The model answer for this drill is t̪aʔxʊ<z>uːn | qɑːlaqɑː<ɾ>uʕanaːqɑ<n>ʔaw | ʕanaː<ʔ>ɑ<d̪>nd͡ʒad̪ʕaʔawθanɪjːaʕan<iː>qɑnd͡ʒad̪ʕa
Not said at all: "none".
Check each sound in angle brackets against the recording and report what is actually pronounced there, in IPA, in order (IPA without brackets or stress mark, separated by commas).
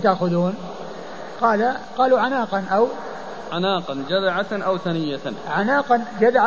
ð, l, n, q, none, aː